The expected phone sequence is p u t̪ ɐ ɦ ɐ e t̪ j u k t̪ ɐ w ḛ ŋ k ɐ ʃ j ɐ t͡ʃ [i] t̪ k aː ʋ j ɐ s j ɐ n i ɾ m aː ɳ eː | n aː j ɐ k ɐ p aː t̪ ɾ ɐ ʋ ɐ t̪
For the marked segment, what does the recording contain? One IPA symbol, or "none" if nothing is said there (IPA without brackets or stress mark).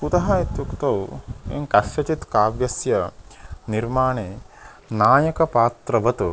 i